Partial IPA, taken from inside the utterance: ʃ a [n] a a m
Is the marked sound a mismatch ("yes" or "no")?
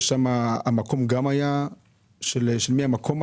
yes